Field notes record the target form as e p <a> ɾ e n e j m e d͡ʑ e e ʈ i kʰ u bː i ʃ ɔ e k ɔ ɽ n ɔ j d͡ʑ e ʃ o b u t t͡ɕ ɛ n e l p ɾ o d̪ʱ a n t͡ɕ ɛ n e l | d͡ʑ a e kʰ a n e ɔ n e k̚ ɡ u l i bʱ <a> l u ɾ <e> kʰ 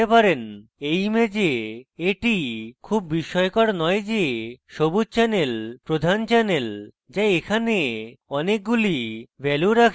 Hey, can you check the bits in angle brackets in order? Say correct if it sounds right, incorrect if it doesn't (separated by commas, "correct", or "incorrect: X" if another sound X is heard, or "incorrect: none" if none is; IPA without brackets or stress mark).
correct, incorrect: ɛ, incorrect: a